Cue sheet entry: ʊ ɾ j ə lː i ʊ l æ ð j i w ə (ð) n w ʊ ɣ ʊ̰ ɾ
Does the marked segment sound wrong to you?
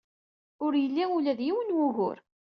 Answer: yes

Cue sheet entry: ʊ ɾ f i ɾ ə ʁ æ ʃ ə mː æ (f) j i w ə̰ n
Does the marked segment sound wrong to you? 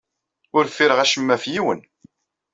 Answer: no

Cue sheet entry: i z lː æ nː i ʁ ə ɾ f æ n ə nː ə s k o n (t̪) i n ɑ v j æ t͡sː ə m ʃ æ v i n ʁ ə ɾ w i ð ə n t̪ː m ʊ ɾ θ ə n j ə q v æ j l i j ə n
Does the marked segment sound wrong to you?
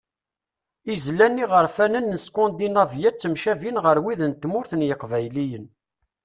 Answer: yes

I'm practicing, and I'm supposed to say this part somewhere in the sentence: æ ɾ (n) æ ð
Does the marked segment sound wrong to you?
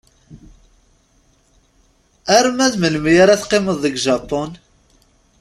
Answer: yes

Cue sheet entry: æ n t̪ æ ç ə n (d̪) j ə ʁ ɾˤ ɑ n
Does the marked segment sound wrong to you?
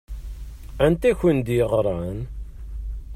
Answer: no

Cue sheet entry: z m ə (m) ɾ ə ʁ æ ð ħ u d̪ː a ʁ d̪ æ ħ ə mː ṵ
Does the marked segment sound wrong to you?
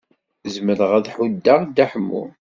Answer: yes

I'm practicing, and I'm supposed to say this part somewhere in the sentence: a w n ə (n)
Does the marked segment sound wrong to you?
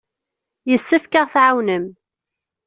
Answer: yes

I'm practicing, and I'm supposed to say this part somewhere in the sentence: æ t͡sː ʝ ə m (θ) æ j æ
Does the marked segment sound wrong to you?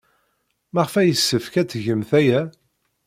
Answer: no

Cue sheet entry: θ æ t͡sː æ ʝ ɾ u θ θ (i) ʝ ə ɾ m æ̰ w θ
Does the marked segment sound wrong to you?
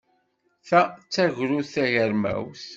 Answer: yes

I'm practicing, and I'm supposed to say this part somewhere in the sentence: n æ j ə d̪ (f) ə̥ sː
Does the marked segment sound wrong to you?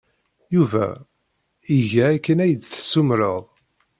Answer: yes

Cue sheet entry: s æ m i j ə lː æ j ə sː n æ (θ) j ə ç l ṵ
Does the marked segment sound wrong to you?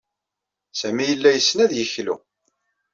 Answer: yes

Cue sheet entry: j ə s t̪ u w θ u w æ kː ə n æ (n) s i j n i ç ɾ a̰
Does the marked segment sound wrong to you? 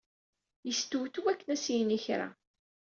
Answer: yes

